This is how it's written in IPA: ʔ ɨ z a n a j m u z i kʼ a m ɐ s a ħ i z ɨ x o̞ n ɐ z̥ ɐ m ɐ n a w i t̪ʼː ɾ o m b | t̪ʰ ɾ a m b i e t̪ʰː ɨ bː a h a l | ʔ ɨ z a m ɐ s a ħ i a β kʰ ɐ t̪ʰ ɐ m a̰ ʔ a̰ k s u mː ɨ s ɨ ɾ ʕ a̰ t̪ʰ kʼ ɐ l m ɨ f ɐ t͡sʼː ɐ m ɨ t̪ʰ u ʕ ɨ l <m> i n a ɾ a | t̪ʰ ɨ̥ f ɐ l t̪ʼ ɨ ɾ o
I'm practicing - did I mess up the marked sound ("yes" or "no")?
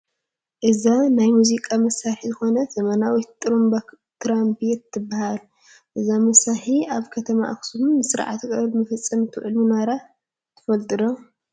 no